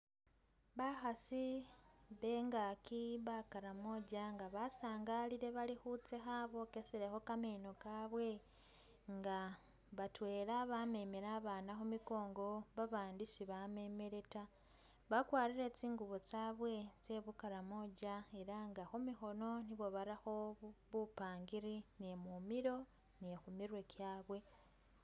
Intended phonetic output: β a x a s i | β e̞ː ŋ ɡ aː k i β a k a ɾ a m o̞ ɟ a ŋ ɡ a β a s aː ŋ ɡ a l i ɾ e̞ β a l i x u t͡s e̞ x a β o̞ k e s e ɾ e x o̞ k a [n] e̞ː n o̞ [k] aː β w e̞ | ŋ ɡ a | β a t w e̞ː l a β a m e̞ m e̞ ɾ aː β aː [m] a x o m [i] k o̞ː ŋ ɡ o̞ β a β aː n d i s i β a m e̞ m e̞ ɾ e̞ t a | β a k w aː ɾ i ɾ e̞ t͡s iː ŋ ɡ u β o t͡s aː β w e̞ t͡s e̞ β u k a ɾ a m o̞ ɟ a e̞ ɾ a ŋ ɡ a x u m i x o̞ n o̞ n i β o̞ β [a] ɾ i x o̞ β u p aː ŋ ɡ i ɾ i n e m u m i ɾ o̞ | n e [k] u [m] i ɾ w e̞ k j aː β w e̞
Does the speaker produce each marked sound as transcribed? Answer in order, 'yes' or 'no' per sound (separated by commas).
no, yes, no, yes, yes, no, yes